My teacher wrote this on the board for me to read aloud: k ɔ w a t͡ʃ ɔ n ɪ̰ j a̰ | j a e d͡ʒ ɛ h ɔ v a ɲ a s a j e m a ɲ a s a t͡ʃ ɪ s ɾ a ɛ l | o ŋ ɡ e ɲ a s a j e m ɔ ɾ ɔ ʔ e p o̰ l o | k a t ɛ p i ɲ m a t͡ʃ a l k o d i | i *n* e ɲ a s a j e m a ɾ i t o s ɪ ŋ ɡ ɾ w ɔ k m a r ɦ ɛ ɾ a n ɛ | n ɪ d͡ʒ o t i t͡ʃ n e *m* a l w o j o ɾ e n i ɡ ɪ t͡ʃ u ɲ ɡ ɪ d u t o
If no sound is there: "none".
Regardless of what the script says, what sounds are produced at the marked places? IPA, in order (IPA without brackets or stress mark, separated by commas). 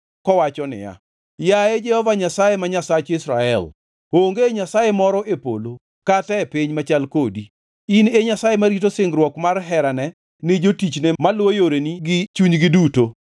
n, m